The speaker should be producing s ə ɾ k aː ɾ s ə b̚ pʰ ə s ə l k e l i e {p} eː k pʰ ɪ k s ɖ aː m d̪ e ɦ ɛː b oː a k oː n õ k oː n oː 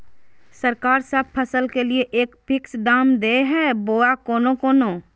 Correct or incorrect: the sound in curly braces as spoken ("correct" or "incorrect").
incorrect